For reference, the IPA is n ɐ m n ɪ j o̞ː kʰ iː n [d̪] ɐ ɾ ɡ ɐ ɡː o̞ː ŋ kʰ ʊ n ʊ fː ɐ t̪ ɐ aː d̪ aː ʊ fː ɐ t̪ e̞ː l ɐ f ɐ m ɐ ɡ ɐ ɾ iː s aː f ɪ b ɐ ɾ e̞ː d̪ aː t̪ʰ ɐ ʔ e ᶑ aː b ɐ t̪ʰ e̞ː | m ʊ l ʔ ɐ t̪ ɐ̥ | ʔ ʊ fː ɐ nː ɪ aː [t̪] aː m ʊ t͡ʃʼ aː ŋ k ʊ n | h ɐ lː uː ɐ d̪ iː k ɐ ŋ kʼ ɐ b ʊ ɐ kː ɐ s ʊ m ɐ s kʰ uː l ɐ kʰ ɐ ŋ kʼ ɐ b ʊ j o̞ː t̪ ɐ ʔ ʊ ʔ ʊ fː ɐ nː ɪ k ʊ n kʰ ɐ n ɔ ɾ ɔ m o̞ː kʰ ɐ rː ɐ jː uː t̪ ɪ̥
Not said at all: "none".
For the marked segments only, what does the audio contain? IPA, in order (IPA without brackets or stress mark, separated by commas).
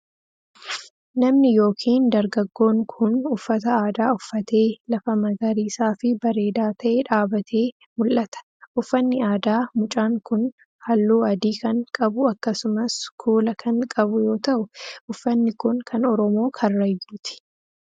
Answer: d̪, d̪